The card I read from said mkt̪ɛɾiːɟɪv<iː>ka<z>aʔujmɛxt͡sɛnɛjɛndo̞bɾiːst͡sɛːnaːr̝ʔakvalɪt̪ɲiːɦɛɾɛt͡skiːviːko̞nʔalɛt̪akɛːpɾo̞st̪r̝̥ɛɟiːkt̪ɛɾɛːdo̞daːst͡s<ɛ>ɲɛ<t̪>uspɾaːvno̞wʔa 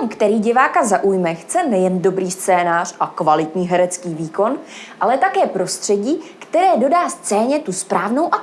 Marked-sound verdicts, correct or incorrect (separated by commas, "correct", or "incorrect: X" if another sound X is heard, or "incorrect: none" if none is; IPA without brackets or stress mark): incorrect: aː, correct, incorrect: ɛː, correct